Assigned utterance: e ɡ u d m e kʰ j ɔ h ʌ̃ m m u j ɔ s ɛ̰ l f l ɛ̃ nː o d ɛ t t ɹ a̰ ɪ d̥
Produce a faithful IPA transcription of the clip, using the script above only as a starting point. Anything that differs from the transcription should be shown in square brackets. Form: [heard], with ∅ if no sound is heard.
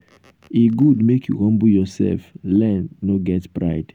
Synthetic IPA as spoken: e ɡ u d m e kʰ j [u] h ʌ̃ m [b] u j ɔ s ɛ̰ l f l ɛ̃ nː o [ɡ] ɛ t [p] ɹ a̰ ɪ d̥